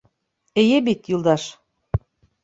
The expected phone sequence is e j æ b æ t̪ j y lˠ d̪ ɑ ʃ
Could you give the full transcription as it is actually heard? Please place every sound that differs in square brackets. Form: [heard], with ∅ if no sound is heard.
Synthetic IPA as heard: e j [e] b [i] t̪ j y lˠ d̪ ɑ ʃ